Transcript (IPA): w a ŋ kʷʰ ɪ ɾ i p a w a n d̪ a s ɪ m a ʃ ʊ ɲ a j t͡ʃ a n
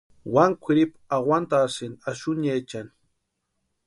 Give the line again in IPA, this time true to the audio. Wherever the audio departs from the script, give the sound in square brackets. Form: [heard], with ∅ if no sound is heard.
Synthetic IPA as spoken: w a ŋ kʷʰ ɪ ɾ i p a w a n [t̪] a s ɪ [n] a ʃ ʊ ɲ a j t͡ʃ a n